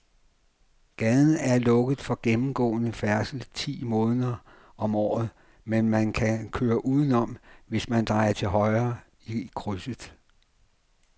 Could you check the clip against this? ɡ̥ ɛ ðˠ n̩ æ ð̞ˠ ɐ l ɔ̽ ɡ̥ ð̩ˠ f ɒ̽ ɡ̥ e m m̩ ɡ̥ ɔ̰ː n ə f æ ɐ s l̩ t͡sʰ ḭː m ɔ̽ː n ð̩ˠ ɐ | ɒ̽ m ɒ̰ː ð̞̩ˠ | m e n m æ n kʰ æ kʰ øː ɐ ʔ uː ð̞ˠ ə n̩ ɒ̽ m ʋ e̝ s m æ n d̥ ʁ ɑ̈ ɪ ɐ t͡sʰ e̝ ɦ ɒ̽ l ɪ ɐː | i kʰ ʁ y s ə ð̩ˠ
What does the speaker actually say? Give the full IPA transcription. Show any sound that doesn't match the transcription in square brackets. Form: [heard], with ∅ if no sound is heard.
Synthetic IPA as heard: ɡ̥ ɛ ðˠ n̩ æ [∅] ɐ l ɔ̽ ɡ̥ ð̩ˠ f ɒ̽ ɡ̥ e m m̩ ɡ̥ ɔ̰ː n ə f æ ɐ s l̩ t͡sʰ ḭː m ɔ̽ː n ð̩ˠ ɐ | ɒ̽ m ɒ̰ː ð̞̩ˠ | m e n m æ n kʰ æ kʰ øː ɐ ʔ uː ð̞ˠ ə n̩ ɒ̽ m ʋ e̝ s m æ n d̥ ʁ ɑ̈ ɪ ɐ t͡sʰ e̝ ɦ ɒ̽ [∅] ɪ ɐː | i kʰ ʁ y s ə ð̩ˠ